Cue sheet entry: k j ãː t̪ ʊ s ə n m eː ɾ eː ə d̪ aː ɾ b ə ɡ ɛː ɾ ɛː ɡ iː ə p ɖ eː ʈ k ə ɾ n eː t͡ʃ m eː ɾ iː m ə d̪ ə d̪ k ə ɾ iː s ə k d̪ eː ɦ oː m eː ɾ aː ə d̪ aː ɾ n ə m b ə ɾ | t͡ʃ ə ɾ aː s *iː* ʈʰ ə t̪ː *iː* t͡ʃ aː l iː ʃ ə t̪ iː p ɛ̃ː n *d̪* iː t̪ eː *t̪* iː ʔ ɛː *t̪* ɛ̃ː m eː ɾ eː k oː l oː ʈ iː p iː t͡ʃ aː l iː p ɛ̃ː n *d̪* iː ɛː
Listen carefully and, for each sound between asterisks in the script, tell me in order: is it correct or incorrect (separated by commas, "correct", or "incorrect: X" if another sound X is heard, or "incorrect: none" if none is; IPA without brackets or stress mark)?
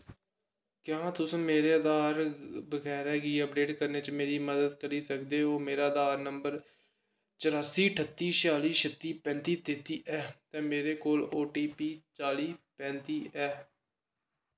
correct, correct, incorrect: t̪, correct, correct, incorrect: t̪